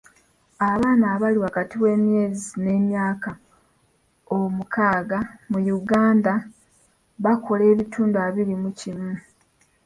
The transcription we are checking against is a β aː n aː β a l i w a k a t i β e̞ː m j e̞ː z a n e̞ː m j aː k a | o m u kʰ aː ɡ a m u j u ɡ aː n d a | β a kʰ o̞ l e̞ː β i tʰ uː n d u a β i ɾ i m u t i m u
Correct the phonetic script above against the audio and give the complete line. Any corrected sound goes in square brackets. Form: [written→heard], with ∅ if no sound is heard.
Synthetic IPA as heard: a β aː n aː β a l i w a k a t i [β→w] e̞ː m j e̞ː z [a→i] n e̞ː m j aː k a | o m u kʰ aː ɡ a m u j u ɡ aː n d a | β a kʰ o̞ l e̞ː β i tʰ uː n d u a β i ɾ i m u [t→c] i m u